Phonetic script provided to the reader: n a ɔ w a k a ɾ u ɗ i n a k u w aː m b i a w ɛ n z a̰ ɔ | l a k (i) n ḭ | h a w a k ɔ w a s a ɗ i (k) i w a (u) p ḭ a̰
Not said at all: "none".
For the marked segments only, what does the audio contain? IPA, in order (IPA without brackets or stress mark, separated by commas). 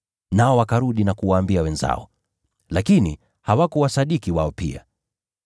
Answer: i, k, ɔ